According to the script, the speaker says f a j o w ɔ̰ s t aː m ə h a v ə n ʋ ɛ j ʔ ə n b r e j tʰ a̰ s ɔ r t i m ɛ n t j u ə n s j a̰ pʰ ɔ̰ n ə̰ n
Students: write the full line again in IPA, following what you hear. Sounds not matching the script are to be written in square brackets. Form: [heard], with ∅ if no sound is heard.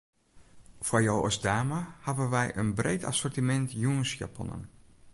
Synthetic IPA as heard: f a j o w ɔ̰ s [d] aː m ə h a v ə n ʋ ɛ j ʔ ə n b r e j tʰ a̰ s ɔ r t i m ɛ n t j u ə n s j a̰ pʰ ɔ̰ n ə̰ n